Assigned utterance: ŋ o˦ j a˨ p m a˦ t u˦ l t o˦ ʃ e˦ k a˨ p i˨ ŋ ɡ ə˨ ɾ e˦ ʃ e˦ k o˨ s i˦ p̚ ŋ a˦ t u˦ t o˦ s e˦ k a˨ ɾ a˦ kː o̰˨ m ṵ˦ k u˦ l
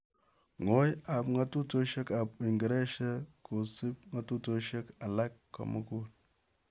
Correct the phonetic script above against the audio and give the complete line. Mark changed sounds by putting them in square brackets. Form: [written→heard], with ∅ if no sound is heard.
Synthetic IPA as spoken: ŋ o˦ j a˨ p [m→ŋ] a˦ t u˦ [l→∅] t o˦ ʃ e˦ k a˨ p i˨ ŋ ɡ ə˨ ɾ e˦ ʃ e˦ k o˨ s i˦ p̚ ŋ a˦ t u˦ t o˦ [s→ʃ] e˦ k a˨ [ɾ→l] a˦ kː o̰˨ m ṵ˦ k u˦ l